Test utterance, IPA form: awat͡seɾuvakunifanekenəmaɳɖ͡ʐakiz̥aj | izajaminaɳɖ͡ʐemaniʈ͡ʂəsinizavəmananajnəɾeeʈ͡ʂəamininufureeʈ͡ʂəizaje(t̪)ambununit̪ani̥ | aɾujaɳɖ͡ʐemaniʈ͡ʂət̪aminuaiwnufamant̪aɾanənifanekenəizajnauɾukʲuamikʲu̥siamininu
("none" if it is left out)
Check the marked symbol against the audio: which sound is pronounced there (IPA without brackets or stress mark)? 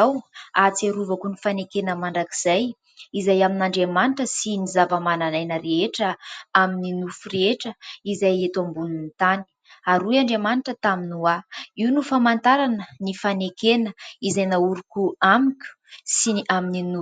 t̪